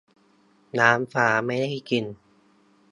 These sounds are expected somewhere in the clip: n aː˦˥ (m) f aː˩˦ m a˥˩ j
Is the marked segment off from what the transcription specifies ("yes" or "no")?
no